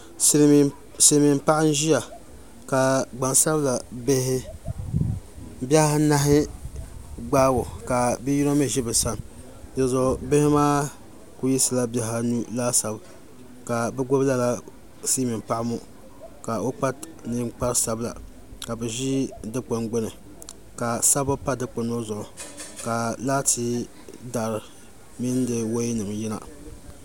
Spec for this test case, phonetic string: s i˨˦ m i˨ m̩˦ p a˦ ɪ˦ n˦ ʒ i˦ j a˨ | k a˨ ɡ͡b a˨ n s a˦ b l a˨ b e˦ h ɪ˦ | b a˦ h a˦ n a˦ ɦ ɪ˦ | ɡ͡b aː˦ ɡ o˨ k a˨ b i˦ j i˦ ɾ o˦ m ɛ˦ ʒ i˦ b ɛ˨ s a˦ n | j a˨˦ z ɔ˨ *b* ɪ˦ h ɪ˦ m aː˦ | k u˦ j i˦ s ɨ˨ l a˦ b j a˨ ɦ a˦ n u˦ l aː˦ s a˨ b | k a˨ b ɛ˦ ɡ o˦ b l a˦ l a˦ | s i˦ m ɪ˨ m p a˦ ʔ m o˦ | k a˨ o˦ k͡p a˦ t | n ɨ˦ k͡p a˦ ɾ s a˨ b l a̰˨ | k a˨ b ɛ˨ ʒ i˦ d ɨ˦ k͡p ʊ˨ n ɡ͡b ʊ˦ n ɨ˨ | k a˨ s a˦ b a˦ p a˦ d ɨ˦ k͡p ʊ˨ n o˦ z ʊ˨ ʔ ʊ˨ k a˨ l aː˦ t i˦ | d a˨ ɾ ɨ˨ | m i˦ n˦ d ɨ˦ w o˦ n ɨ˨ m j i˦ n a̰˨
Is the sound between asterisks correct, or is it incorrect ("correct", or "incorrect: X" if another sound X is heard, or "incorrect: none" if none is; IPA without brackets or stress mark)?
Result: correct